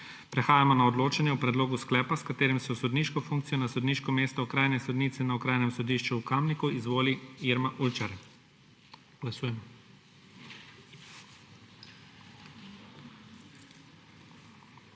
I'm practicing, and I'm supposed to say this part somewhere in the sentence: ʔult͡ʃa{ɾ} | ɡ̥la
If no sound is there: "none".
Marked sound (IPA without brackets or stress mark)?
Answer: ɾ